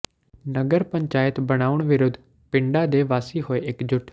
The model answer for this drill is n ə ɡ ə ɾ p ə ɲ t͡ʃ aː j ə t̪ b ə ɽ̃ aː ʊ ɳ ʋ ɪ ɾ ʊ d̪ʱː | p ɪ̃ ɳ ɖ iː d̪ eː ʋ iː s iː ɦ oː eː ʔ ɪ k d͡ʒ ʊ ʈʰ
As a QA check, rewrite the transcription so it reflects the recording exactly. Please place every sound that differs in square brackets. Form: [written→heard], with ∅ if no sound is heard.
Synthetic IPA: n ə ɡ ə ɾ p ə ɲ t͡ʃ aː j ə t̪ b ə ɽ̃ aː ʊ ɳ ʋ ɪ ɾ ʊ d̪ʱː | p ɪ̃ ɳ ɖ [iː→aː] d̪ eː ʋ [iː→aː] s iː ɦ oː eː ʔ ɪ k d͡ʒ ʊ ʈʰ